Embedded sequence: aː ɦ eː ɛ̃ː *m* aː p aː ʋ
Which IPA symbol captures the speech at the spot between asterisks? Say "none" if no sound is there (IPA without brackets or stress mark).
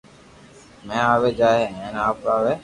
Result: n